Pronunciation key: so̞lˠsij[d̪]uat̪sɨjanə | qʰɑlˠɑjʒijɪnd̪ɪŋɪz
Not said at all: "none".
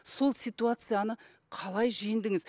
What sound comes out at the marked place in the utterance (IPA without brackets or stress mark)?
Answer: t̪